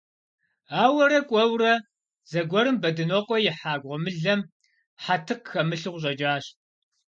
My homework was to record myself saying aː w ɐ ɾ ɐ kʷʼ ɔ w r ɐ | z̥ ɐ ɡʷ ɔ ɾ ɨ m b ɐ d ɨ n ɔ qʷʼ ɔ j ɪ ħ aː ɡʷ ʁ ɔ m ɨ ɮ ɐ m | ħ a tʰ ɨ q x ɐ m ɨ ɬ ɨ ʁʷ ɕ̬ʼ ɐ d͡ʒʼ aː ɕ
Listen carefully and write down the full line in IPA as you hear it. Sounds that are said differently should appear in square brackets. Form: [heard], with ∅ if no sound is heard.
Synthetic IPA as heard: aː w ɐ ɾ ɐ kʷʼ ɔ w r ɐ | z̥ ɐ ɡʷ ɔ ɾ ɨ m b ɐ d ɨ n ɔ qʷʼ ɔ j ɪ ħ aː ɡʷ ʁ ɔ m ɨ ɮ ɐ m | ħ a tʰ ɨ q x ɐ m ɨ ɬ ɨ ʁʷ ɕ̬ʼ ɐ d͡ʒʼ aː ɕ